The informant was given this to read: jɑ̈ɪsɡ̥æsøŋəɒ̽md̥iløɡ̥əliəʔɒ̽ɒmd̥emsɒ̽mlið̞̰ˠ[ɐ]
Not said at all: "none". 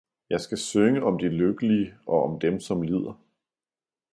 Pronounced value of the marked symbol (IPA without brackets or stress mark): ɐ